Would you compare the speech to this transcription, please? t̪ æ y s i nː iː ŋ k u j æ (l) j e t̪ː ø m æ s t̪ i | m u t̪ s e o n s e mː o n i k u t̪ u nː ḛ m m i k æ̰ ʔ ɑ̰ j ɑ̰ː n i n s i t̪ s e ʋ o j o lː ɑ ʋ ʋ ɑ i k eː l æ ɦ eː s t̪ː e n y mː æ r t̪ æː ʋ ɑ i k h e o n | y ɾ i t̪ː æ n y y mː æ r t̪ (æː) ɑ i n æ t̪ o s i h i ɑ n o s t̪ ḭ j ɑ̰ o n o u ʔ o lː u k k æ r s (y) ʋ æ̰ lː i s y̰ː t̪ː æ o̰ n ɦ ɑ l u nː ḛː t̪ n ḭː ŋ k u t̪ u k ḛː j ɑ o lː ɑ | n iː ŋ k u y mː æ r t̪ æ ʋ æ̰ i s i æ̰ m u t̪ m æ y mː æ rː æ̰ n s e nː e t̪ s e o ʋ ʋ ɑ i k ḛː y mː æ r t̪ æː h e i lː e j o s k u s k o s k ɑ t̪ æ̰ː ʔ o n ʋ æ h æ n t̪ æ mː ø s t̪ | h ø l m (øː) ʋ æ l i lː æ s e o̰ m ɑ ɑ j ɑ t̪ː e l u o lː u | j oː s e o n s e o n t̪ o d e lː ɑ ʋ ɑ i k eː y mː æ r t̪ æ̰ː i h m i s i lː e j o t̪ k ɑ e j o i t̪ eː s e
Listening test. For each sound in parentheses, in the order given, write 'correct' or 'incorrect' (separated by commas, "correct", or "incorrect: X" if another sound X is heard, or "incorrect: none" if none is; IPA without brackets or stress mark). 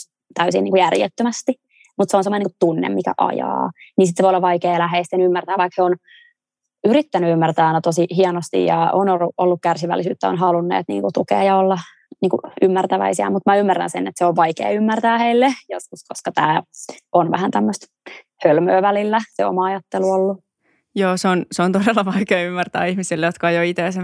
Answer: incorrect: r, correct, incorrect: i, correct